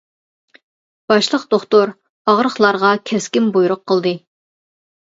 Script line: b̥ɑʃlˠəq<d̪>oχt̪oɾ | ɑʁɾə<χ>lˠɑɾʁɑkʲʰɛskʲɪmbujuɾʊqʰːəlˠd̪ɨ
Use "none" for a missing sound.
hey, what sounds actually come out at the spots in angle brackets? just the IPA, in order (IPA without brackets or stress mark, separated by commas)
d̪, χ